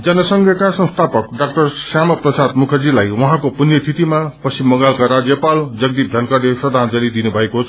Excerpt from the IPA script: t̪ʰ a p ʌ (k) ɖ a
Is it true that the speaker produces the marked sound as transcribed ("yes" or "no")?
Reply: yes